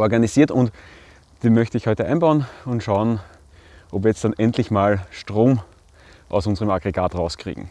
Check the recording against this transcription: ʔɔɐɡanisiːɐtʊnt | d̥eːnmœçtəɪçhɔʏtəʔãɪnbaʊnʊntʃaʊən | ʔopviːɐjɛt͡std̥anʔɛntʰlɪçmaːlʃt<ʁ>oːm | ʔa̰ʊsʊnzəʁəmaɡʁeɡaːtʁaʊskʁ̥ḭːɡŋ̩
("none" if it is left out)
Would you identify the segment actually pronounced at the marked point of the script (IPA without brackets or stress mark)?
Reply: ʁ